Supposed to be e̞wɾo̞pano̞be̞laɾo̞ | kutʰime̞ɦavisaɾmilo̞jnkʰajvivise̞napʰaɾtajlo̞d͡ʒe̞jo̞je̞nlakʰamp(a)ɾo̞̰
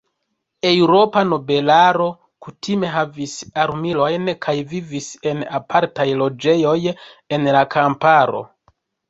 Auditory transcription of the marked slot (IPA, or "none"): a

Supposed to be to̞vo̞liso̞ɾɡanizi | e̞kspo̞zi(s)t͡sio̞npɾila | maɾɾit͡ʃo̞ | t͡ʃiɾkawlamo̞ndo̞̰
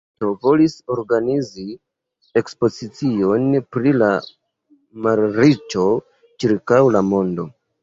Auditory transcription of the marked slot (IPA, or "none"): none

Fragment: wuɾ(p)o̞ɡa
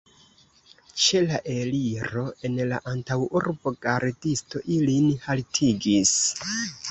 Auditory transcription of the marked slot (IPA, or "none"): b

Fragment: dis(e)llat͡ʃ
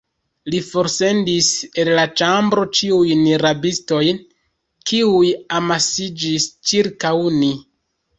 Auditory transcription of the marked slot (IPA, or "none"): e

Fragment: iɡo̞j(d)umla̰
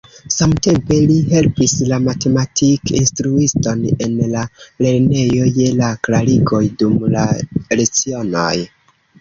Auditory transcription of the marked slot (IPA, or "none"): d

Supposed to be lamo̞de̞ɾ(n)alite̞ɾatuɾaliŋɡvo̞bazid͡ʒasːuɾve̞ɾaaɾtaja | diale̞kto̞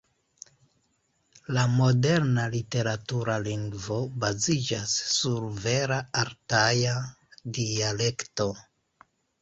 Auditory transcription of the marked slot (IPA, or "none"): n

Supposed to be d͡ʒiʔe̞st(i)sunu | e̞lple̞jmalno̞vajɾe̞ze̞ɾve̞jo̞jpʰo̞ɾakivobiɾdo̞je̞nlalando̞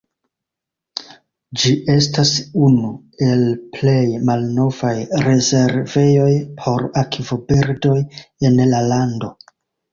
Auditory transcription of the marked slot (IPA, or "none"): a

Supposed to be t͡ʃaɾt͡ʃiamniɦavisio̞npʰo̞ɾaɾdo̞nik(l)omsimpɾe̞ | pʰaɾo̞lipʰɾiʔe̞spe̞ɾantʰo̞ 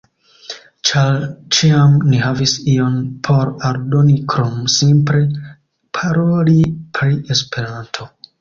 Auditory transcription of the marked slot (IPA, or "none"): ɾ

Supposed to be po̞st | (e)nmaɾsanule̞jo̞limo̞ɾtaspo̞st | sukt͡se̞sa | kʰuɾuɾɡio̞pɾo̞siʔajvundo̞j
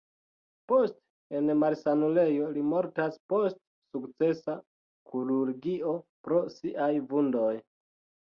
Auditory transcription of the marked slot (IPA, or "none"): e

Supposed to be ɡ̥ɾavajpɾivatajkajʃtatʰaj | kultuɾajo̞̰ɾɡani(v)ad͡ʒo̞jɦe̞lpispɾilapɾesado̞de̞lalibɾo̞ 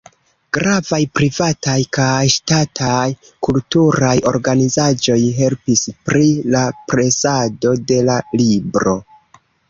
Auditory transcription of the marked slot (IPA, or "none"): z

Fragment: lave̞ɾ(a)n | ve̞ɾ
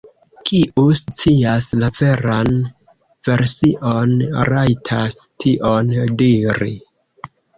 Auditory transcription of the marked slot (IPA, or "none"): a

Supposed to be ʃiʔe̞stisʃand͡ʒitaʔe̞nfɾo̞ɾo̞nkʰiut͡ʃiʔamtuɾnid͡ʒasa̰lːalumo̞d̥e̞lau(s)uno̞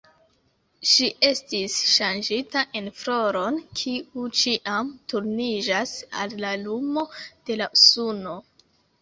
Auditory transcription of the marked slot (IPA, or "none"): s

